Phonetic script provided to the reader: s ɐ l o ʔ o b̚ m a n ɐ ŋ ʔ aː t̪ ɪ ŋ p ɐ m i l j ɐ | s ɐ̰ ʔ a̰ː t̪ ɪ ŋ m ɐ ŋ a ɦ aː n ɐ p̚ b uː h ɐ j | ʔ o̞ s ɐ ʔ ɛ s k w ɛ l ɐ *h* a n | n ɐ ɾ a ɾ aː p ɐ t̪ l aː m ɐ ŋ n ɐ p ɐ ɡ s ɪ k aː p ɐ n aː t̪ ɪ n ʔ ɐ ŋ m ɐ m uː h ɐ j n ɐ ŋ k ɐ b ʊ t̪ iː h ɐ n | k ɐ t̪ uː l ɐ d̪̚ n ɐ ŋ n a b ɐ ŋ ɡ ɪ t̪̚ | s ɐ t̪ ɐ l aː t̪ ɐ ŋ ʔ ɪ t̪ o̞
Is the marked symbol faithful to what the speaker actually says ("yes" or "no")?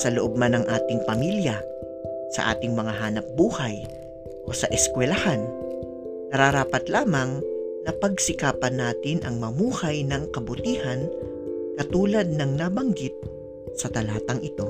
yes